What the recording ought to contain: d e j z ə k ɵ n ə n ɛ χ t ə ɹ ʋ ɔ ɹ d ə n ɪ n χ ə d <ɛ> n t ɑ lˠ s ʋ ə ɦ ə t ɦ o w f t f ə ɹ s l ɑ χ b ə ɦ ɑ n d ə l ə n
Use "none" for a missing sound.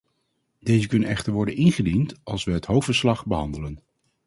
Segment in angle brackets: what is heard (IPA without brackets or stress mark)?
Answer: i